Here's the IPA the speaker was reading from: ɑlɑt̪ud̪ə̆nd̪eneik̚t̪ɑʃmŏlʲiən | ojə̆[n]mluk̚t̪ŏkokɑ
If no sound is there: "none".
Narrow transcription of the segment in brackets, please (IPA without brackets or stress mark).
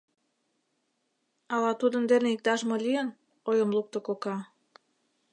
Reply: none